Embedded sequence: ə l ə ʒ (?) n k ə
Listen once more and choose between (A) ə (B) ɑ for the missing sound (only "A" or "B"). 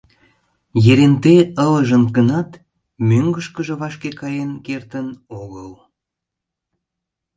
A